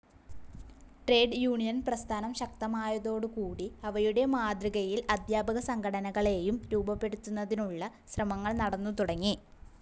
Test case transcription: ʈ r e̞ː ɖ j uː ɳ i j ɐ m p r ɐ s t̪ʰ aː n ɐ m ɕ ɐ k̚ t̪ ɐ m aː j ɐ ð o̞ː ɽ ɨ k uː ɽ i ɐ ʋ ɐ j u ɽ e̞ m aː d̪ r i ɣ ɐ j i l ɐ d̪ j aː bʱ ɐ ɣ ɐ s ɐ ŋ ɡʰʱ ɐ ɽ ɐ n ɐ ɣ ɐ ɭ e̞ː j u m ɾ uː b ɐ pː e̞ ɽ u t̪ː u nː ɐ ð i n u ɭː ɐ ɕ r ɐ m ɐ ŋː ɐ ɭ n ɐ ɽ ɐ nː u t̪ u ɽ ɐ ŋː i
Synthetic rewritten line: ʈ r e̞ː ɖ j uː ɳ i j ɐ n p r ɐ s t̪ʰ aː n ɐ m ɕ ɐ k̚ t̪ ɐ m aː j ɐ ð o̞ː ɽ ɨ k uː ɽ i ɐ ʋ ɐ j u ɽ e̞ m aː d̪ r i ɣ ɐ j i l ɐ d̪ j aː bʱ ɐ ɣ ɐ s ɐ ŋ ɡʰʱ ɐ ɽ ɐ n ɐ ɣ ɐ ɭ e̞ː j u m ɾ uː b ɐ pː e̞ ɽ u t̪ː u nː ɐ ð i n u ɭː ɐ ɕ r ɐ m ɐ ŋː ɐ ɭ n ɐ ɽ ɐ nː u t̪ u ɽ ɐ ŋː i